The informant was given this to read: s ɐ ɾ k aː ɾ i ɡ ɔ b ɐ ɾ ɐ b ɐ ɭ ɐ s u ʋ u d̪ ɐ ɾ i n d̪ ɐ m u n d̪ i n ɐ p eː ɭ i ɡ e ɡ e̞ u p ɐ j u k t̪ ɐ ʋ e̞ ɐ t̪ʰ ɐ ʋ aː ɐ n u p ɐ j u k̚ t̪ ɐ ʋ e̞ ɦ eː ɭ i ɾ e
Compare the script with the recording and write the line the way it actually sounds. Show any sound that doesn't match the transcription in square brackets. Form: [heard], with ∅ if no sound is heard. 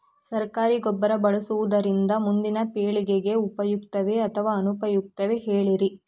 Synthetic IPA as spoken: s ɐ ɾ k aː ɾ i ɡ ɔ [bː] ɐ ɾ ɐ b ɐ ɭ ɐ s u ʋ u d̪ ɐ ɾ i n d̪ ɐ m u n d̪ i n ɐ p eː ɭ i ɡ e ɡ e̞ u p ɐ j u k t̪ ɐ ʋ e̞ ɐ t̪ʰ ɐ ʋ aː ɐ n u p ɐ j u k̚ t̪ ɐ ʋ e̞ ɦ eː ɭ i ɾ [i]